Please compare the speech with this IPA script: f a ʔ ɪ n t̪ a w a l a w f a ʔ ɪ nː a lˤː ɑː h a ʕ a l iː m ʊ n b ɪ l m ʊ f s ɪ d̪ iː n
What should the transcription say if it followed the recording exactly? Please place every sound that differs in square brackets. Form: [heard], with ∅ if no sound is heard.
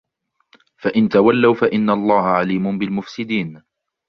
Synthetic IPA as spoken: f a ʔ ɪ n t̪ a w a [lː] a w f a ʔ ɪ nː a lˤː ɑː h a ʕ a l iː m ʊ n b ɪ l m ʊ f s ɪ d̪ iː n